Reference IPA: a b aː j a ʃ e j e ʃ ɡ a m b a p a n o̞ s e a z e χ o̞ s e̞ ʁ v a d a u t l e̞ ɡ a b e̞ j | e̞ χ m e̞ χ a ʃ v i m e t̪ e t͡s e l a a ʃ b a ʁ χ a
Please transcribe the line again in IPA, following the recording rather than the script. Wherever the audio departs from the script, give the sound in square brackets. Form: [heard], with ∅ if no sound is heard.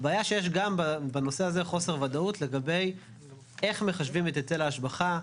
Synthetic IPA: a b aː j a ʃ e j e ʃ ɡ a m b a [b] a n o̞ s e a z e χ o̞ s e̞ ʁ v a d a u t l e̞ ɡ a b e̞ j | e̞ χ m e̞ χ a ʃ v i m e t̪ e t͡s e l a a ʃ b a [∅] χ a

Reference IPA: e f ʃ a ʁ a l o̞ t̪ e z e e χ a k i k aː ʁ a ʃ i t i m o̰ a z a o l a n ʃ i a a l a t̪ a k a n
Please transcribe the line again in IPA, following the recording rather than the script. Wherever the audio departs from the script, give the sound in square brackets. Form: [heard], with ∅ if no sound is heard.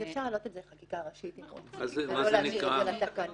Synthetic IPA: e f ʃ a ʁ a l o̞ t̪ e z e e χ a k i k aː ʁ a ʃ i t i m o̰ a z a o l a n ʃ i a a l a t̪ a k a n

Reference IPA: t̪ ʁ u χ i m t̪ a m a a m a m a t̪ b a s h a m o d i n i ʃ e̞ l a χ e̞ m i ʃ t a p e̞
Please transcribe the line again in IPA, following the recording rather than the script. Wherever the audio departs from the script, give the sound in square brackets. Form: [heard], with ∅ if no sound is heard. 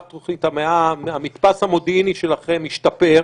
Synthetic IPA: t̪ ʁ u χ i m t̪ a m [e] a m a m [i] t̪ [p] a s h a m o d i n i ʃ e̞ l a χ e̞ m i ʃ t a p e̞

